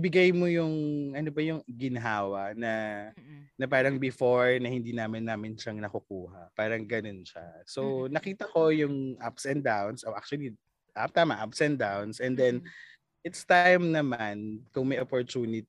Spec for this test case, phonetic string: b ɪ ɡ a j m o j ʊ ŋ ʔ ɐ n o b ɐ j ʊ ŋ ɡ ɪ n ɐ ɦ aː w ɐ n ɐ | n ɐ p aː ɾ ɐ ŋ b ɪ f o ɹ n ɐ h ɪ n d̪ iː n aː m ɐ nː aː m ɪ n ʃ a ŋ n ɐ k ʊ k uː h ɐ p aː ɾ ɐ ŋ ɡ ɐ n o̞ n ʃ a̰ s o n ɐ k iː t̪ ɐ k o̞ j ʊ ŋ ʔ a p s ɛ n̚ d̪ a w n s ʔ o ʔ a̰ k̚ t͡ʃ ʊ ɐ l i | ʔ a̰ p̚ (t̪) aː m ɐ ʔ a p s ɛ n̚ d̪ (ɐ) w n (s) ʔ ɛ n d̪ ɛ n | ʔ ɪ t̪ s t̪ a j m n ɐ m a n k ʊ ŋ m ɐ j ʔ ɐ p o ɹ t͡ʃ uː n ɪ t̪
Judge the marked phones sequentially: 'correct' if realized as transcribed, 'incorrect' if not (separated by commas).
correct, incorrect, correct